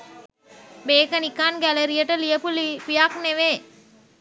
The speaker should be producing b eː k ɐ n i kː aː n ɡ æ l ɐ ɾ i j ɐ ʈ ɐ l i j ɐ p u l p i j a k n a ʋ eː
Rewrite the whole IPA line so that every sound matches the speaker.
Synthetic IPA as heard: b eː k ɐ n i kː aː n ɡ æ l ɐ ɾ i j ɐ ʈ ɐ l i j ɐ p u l p i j a k n e ʋ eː